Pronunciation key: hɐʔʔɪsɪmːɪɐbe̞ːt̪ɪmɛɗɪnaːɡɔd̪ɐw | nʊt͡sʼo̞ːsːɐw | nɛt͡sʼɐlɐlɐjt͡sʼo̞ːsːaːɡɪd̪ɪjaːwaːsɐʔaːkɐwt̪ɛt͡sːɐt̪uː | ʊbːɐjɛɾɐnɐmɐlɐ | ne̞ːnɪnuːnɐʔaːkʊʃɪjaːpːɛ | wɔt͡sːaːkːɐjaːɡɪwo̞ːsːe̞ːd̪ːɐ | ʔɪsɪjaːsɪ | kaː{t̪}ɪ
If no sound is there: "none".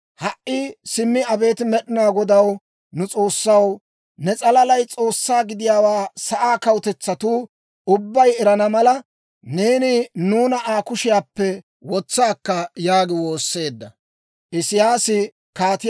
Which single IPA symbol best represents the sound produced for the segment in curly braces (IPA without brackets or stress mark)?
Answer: t̪